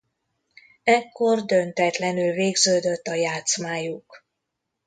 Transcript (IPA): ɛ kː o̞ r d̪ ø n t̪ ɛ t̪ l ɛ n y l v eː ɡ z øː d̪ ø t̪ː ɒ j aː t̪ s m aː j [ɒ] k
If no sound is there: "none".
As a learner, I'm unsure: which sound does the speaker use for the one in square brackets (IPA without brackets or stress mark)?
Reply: u